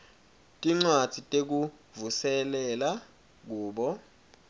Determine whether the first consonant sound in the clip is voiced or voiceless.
voiceless